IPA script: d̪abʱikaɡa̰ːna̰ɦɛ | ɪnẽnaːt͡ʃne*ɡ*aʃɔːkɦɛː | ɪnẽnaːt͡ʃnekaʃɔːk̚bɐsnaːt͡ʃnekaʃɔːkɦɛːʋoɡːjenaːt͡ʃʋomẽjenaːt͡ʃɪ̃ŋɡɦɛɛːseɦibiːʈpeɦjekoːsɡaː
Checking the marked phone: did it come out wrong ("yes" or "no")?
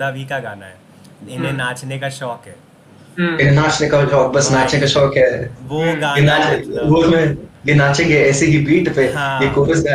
yes